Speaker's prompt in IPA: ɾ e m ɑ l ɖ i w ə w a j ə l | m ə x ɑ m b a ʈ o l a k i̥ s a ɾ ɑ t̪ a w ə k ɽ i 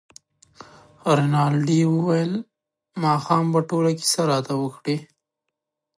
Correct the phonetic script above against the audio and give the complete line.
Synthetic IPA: ɾ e n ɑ l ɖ i w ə w a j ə l | m ɑ x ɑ m b a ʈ o l a k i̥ s a ɾ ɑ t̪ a w ə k ɽ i